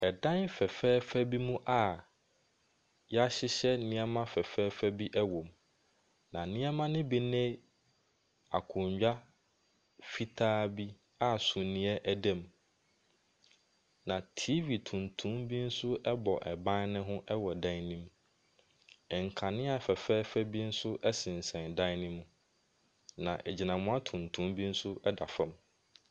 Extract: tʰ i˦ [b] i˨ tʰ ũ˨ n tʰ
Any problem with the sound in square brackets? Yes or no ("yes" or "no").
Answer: yes